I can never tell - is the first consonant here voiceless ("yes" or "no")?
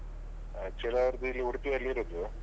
yes